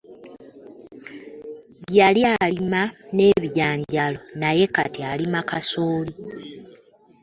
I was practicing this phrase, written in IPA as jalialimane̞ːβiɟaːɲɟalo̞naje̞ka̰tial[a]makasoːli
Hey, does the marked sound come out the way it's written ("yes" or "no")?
no